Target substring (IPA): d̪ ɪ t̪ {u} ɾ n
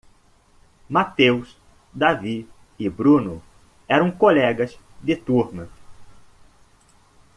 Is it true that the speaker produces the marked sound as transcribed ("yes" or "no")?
yes